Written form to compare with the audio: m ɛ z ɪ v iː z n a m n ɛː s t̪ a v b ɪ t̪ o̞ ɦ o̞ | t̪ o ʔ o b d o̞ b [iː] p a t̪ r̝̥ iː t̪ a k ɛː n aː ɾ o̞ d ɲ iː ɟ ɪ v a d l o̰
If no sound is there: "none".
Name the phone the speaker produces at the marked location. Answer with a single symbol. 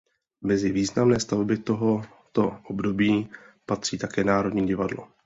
iː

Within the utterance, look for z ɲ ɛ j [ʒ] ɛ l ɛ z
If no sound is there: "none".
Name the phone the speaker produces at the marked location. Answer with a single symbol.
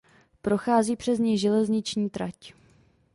ʒ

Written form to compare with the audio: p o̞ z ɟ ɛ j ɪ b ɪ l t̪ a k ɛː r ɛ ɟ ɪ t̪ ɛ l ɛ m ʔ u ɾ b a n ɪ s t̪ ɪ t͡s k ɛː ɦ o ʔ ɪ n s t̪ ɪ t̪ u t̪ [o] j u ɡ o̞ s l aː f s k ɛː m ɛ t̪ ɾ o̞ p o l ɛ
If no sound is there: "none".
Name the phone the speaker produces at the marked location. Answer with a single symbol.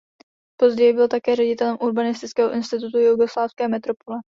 u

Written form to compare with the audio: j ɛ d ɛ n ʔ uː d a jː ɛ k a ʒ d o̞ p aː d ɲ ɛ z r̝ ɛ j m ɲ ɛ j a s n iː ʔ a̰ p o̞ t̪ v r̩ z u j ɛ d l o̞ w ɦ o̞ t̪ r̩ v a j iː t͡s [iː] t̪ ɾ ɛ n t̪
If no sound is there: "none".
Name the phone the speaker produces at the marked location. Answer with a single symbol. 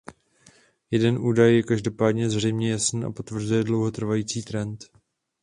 iː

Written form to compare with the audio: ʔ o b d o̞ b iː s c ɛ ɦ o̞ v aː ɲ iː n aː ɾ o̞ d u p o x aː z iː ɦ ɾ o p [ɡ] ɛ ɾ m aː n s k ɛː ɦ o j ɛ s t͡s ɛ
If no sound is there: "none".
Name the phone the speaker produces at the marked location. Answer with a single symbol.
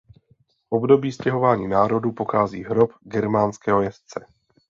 ɡ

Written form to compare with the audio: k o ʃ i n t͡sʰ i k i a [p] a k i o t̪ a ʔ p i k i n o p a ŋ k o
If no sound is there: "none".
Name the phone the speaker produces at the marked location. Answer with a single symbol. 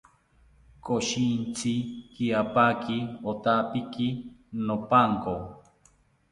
p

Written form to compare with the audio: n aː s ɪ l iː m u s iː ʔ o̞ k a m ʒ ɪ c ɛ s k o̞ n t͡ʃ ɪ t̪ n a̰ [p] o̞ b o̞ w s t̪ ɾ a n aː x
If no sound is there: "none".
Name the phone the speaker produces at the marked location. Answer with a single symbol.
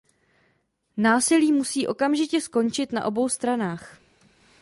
ʔ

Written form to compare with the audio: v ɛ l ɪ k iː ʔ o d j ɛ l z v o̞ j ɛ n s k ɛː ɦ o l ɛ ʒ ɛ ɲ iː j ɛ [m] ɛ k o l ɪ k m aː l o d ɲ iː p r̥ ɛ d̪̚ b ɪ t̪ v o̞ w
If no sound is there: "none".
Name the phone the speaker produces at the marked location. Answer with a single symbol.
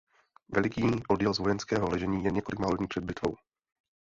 ɲ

